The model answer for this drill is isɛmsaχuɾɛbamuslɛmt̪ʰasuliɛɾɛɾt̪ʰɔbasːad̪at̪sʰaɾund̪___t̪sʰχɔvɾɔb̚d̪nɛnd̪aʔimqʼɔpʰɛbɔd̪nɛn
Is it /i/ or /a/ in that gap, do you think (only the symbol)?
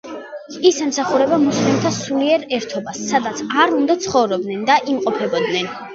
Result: a